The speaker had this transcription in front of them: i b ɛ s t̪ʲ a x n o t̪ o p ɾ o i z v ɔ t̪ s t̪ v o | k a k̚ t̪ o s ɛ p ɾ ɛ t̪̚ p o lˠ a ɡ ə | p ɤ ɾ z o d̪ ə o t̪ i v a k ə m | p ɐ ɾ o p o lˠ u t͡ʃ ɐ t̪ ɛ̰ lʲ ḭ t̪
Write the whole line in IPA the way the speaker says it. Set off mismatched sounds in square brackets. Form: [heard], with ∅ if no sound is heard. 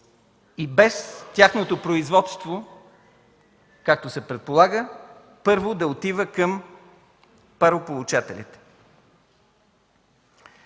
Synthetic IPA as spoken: i b ɛ s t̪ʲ a x n o t̪ o p ɾ o i z v ɔ t̪ s t̪ v o | k a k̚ t̪ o s ɛ p ɾ ɛ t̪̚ p o lˠ a ɡ ə | p ɤ ɾ [v] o d̪ [ɐ] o t̪ i v [ə] k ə m | p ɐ ɾ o p o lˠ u t͡ʃ [a] t̪ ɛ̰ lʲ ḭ t̪